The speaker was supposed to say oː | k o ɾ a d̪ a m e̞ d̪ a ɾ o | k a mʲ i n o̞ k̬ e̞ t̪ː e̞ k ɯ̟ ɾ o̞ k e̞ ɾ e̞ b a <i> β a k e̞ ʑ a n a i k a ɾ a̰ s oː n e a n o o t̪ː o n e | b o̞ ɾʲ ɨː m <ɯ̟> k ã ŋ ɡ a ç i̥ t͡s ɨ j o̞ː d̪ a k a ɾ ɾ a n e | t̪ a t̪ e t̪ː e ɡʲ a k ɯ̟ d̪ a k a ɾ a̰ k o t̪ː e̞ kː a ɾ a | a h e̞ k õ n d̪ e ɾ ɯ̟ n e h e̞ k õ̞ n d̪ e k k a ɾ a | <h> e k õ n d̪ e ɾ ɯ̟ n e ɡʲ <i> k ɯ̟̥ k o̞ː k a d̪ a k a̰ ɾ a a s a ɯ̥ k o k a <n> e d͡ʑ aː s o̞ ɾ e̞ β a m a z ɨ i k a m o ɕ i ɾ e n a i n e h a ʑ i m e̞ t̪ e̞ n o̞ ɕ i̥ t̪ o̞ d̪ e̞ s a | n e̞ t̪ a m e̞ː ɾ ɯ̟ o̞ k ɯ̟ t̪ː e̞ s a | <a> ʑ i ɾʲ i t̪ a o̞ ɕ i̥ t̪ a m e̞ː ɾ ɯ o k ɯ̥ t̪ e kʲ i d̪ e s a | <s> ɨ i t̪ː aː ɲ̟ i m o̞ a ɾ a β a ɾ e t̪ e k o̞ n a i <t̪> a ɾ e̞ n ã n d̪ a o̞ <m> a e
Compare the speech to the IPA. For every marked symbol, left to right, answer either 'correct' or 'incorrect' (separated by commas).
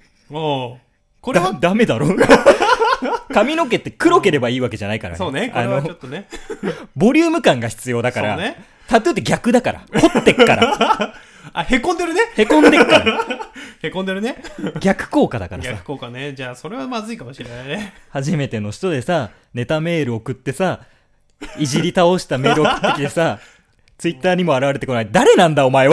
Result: incorrect, correct, correct, incorrect, correct, incorrect, incorrect, incorrect, correct